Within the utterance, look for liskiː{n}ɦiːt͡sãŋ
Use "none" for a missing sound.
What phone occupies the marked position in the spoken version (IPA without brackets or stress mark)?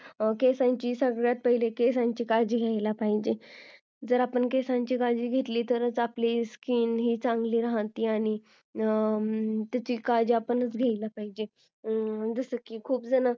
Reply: n